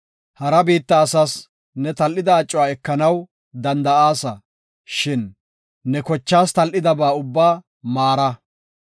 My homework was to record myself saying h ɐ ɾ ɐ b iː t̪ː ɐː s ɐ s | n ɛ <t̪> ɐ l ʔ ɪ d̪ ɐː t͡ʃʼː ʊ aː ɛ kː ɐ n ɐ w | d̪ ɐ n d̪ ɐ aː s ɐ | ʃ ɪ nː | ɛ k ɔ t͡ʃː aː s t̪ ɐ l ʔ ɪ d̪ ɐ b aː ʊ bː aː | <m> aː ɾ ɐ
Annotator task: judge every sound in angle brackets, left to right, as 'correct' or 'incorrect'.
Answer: correct, correct

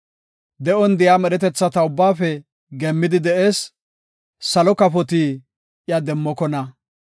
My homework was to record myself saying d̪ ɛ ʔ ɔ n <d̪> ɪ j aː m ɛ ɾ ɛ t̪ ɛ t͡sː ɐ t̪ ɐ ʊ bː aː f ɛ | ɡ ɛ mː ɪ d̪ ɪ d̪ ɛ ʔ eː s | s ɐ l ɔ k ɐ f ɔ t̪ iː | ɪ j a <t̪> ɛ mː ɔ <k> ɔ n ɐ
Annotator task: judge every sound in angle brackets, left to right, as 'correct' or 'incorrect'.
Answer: correct, incorrect, correct

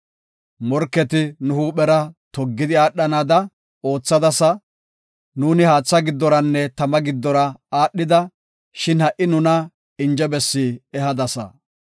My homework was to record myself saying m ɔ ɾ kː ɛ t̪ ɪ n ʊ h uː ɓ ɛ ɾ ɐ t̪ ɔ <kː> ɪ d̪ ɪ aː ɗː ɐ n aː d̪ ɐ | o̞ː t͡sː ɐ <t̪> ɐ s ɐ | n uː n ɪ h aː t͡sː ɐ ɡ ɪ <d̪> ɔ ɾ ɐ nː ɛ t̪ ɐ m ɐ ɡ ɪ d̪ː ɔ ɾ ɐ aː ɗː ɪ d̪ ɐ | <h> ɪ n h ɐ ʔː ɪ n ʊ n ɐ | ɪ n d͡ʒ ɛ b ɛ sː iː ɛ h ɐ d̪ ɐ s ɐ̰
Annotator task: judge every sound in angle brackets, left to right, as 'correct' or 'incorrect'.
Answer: incorrect, incorrect, incorrect, incorrect

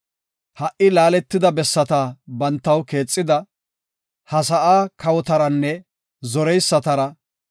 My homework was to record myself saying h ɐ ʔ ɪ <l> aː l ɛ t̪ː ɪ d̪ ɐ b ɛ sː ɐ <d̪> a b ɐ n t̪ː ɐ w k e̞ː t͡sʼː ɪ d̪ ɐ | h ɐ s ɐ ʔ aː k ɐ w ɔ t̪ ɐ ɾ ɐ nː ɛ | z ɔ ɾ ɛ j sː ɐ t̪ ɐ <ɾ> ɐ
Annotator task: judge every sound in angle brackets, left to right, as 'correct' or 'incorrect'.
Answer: correct, incorrect, correct

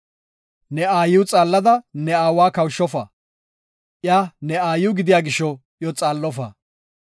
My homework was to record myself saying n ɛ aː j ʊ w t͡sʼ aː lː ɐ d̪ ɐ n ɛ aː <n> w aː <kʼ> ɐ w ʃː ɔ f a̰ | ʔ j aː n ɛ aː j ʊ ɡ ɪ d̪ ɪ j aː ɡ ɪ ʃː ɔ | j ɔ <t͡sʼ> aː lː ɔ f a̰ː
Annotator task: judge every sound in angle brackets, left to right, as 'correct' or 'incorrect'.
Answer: incorrect, incorrect, correct

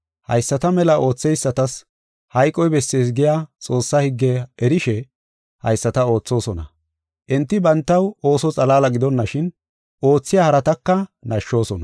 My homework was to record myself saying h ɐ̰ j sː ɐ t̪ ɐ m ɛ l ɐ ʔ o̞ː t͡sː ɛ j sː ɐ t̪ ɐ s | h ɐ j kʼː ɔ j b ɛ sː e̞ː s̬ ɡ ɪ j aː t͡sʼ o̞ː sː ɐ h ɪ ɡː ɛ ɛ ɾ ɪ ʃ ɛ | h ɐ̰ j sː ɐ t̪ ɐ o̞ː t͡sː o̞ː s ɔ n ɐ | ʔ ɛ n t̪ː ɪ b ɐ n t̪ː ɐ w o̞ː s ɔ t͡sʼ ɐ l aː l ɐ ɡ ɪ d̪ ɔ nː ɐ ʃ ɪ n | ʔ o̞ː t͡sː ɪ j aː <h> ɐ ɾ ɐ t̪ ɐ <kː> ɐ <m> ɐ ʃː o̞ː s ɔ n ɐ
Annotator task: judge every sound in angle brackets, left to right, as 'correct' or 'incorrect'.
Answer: correct, correct, incorrect

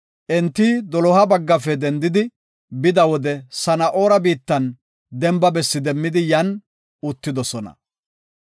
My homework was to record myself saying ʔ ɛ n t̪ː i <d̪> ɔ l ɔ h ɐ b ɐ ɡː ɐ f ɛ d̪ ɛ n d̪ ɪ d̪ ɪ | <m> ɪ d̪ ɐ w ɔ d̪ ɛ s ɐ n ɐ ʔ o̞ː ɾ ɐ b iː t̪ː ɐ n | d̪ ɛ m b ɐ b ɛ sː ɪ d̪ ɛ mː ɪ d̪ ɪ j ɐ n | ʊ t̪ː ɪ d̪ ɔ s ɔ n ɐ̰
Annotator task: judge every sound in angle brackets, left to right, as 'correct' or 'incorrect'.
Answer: correct, incorrect

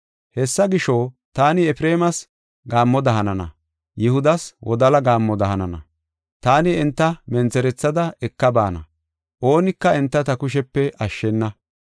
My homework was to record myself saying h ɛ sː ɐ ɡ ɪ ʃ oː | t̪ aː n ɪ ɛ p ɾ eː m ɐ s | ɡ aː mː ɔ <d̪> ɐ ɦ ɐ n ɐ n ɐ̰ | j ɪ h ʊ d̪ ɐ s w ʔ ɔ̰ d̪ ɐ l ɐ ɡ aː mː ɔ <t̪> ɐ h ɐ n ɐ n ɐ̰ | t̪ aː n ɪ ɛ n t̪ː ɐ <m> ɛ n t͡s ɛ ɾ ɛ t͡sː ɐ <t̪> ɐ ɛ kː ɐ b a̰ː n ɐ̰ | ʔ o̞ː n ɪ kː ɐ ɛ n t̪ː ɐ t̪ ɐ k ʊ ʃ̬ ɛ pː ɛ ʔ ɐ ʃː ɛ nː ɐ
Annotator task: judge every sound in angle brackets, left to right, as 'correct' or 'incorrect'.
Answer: correct, incorrect, correct, incorrect

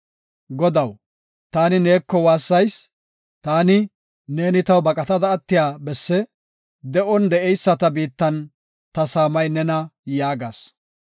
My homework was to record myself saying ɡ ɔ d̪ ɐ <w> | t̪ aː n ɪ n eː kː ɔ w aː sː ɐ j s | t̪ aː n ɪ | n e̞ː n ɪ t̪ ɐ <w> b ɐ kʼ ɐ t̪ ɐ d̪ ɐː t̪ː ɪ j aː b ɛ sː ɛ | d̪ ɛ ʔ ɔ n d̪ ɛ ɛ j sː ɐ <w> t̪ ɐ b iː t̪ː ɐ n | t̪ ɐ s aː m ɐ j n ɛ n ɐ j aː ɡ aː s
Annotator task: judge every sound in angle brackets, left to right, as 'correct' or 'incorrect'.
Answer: correct, correct, incorrect

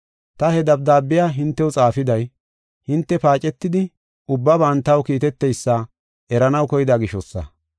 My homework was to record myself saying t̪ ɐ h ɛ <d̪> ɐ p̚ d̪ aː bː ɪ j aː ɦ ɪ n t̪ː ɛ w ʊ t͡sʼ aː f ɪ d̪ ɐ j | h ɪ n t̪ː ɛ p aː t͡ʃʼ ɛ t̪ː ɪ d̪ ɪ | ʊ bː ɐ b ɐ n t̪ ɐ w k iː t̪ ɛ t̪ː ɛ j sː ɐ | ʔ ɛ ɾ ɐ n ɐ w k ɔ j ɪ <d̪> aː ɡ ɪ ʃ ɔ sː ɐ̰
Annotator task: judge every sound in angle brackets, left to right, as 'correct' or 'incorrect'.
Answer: correct, correct

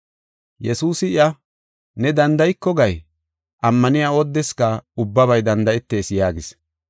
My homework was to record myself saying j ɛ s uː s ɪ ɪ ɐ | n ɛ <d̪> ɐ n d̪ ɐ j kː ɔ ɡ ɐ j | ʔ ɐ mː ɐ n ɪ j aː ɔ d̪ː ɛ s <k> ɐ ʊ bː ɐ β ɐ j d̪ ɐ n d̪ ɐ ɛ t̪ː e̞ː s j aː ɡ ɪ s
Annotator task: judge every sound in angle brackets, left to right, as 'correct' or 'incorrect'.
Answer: correct, correct

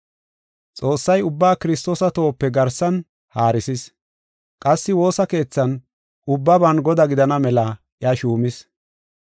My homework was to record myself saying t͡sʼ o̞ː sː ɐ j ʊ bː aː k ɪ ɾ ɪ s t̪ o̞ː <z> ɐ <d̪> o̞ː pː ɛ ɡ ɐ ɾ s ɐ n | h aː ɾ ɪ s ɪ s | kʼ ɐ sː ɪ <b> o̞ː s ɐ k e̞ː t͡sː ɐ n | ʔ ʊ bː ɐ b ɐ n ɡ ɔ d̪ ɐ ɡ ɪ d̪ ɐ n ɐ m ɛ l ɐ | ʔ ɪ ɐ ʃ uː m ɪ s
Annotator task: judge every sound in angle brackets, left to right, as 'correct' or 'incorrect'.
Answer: incorrect, incorrect, incorrect

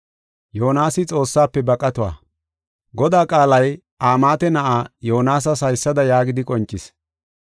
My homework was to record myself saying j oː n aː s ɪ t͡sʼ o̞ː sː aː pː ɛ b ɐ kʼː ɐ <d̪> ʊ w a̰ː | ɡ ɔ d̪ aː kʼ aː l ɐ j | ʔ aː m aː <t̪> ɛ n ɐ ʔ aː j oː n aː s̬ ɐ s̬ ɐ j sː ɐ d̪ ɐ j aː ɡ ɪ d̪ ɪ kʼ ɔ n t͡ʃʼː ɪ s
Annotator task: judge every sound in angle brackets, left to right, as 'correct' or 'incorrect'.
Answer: incorrect, correct

